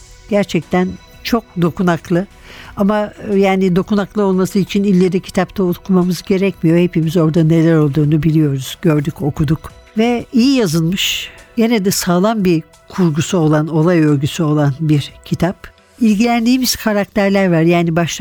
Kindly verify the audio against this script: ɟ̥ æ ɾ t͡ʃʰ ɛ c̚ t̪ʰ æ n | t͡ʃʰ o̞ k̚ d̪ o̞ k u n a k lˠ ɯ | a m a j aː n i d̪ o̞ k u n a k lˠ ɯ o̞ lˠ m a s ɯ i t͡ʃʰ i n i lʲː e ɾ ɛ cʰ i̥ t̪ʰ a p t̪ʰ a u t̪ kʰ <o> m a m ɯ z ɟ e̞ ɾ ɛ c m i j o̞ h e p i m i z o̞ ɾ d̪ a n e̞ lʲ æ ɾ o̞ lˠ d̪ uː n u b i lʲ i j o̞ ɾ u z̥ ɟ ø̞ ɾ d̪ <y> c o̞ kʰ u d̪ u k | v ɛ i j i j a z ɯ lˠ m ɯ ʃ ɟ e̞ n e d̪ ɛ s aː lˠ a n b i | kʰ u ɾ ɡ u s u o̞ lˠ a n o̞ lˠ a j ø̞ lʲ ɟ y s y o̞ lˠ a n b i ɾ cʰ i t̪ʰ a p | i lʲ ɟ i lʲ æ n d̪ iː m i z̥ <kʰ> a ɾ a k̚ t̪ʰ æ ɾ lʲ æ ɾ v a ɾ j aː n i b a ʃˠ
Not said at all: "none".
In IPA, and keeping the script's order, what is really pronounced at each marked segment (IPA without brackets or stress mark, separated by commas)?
u, y, kʰ